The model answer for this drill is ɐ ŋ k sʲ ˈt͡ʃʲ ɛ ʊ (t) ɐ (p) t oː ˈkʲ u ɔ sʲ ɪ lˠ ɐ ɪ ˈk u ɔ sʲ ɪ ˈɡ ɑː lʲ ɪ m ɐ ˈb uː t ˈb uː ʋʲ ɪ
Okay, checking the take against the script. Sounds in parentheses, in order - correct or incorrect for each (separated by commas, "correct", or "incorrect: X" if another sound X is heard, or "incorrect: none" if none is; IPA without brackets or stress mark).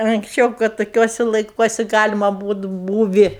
incorrect: k, incorrect: t